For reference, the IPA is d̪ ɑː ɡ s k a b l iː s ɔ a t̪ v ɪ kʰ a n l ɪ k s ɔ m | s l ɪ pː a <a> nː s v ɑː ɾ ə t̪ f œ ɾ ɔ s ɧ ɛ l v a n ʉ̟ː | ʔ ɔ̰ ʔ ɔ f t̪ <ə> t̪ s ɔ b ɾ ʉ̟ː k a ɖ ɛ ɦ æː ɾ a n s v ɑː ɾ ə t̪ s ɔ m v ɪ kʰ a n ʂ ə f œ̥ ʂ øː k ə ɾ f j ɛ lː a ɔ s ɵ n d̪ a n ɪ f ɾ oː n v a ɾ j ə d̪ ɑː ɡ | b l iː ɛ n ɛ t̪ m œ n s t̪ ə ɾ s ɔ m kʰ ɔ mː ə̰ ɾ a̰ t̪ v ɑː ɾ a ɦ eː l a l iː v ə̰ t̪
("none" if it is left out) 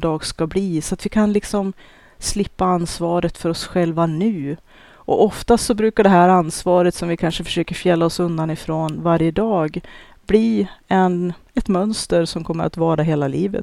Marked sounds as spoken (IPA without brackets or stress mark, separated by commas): a, a